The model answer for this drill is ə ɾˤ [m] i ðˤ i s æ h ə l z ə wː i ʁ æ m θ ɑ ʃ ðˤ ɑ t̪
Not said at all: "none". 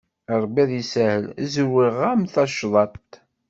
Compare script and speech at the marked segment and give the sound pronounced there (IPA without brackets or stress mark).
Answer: b